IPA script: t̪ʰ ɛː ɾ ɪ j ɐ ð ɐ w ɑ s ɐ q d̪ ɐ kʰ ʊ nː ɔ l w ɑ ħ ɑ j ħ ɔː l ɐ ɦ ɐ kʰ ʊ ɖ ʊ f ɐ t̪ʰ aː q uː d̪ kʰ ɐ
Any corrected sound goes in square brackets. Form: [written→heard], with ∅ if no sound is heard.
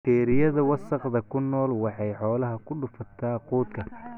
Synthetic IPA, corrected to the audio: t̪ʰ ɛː ɾ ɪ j ɐ ð ɐ w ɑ s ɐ q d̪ ɐ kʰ ʊ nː [ɔ→ɔː] l w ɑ ħ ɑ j ħ ɔː l ɐ ɦ ɐ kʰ ʊ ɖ ʊ f ɐ t̪ʰ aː q uː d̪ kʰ ɐ